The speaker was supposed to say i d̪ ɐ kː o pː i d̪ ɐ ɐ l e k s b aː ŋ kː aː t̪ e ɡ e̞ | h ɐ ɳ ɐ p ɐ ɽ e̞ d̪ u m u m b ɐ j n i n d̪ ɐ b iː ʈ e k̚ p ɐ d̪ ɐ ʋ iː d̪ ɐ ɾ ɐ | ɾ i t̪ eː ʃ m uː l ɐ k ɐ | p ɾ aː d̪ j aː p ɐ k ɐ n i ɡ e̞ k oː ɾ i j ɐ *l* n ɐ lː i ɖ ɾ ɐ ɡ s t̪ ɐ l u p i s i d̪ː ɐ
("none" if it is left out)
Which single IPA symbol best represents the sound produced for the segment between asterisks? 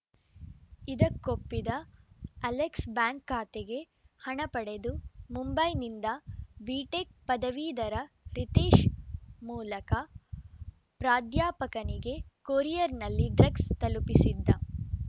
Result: ɾ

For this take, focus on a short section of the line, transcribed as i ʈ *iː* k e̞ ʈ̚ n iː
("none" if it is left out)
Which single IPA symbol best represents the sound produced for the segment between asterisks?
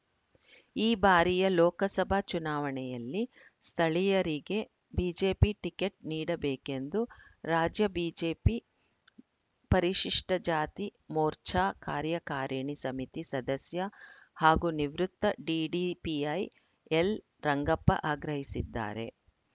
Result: i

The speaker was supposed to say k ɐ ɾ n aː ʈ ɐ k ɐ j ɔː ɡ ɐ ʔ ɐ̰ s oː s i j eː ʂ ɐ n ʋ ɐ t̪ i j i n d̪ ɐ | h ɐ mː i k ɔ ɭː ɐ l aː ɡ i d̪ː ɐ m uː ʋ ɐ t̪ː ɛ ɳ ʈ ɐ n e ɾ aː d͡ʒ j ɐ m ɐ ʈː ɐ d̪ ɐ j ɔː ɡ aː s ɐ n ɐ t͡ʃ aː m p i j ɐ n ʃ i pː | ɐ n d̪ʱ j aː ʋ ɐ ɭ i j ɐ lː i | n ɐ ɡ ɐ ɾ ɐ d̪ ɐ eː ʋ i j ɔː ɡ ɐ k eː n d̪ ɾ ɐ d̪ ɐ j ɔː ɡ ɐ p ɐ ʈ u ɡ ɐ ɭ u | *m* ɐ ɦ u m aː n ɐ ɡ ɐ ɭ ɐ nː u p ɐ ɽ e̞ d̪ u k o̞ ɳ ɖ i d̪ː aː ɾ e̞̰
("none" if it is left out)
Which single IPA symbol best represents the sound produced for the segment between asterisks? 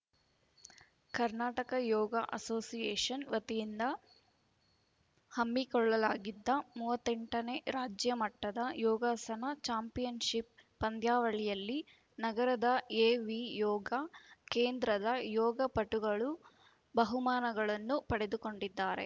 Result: b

